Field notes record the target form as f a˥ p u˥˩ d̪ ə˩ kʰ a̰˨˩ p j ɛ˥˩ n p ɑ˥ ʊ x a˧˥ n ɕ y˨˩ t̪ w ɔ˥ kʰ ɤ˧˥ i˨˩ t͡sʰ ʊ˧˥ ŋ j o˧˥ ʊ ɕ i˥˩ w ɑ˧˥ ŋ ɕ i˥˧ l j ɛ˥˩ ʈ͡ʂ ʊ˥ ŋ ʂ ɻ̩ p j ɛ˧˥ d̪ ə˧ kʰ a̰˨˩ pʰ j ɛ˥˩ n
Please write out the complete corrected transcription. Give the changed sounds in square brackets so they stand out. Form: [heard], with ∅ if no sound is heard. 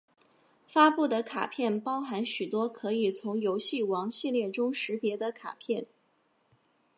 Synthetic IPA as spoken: f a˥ p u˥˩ d̪ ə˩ kʰ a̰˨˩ [pʰ] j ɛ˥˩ n p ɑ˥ ʊ x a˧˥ n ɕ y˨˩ t̪ w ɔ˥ kʰ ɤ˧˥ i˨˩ t͡sʰ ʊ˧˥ ŋ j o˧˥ ʊ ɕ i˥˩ w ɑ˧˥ ŋ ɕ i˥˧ l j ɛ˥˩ ʈ͡ʂ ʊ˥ ŋ ʂ ɻ̩ p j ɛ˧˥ d̪ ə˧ kʰ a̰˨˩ pʰ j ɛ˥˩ n